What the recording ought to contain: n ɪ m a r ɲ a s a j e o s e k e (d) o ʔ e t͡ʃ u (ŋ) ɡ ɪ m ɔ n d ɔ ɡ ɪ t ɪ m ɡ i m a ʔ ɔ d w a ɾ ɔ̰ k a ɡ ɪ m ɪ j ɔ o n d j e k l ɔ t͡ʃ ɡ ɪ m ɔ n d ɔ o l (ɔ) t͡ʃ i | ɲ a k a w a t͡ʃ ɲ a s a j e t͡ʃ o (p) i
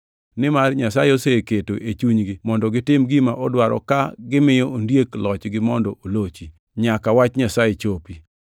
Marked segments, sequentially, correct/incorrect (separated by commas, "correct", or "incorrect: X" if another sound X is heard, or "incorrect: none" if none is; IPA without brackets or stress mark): incorrect: t, incorrect: ɲ, incorrect: o, correct